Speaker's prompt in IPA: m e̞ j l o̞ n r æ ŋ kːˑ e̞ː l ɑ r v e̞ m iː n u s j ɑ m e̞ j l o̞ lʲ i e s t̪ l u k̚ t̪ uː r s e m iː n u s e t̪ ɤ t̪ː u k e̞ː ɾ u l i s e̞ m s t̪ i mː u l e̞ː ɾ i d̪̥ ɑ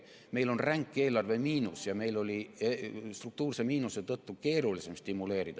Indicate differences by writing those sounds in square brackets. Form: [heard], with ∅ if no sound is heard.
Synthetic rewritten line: m e̞ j l o̞ n r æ ŋ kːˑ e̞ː l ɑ r v e̞ m iː n u s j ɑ m e̞ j l o̞ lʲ i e s t̪ [r] u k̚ t̪ uː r s e m iː n u s e t̪ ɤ t̪ː u k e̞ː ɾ u l i s e̞ m s t̪ i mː u l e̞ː ɾ i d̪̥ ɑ